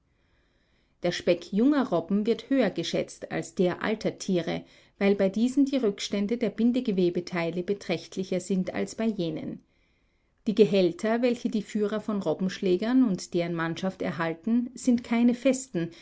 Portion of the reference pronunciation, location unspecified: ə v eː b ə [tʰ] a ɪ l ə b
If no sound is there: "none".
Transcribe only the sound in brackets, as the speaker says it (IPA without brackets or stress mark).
tʰ